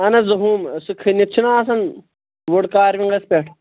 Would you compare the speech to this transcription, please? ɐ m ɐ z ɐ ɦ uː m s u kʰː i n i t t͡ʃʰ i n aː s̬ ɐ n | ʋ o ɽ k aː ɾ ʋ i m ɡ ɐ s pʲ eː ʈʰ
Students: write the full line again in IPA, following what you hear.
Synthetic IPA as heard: ɐ n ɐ z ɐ ɦ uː m s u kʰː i n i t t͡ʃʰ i n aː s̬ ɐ n | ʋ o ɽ k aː ɾ ʋ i ŋ ɡ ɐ s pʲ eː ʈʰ